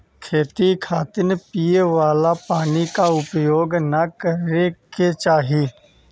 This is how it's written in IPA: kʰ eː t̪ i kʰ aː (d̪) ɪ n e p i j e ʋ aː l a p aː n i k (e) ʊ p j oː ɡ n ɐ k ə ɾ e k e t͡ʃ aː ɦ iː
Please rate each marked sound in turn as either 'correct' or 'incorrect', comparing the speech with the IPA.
incorrect, incorrect

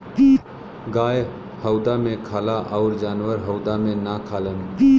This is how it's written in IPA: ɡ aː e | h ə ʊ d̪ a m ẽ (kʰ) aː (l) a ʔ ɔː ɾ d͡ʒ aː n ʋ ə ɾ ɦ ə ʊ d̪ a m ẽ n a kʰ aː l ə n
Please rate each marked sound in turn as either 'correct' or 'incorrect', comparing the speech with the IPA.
correct, correct

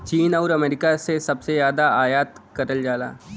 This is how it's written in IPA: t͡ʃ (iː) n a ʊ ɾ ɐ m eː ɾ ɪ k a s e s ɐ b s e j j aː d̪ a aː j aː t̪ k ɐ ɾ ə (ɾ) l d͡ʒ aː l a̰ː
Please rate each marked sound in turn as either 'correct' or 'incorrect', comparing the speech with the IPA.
correct, incorrect

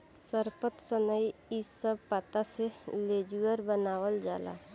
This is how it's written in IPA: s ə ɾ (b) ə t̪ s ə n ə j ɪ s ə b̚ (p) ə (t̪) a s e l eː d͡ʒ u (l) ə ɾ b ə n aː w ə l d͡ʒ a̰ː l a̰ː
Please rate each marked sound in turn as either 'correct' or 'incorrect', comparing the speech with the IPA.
incorrect, correct, correct, incorrect

